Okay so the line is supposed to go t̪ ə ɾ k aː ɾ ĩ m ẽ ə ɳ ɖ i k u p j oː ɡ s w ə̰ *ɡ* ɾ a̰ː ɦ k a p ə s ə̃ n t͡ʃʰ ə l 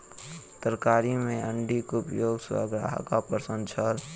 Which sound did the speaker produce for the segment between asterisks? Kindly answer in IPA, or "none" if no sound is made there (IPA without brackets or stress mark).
ɡ